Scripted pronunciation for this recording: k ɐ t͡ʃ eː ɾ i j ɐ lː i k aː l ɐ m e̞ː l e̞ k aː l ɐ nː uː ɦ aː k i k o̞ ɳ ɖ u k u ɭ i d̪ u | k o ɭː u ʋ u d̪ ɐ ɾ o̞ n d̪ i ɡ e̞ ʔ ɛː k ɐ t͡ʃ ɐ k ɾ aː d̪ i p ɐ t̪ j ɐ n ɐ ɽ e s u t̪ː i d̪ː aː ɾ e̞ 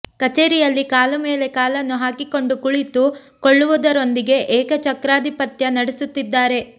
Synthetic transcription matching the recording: k ɐ t͡ʃ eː ɾ i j ɐ lː i k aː l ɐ m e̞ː l e̞ k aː l ɐ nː u ɦ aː k i k o̞ ɳ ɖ u k u ɭ i t̪ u | k o ɭː u ʋ u d̪ ɐ ɾ o̞ n d̪ i ɡ e̞ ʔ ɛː k ɐ t͡ʃ ɐ k ɾ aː d̪ i p ɐ t̪ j ɐ n ɐ ɽ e s u t̪ː i d̪ː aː ɾ e̞